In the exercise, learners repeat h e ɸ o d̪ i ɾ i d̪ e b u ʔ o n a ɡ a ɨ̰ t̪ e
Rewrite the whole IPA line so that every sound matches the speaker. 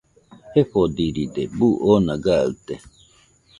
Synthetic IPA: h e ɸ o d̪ i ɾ i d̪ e b u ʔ o n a ɡ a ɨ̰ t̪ e